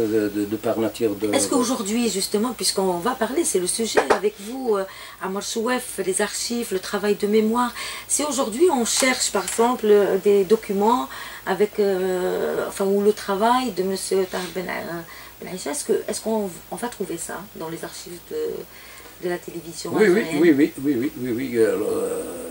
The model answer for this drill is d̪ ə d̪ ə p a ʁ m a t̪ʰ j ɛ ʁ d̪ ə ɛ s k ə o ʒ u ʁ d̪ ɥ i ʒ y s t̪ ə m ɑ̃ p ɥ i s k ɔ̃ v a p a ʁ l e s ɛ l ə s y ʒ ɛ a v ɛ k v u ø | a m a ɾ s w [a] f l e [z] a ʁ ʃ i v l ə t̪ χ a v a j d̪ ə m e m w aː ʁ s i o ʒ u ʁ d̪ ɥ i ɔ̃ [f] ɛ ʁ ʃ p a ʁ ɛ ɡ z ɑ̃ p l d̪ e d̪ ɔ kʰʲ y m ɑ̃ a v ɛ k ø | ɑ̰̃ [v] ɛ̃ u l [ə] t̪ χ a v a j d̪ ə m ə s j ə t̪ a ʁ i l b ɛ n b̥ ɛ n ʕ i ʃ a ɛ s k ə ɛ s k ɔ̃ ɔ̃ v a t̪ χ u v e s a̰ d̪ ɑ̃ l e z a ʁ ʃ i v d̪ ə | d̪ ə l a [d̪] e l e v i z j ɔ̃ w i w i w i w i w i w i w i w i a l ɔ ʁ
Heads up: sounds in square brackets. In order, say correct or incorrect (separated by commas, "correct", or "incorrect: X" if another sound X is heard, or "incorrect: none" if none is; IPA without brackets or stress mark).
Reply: incorrect: ɛ, correct, incorrect: ʃ, incorrect: f, correct, incorrect: t̪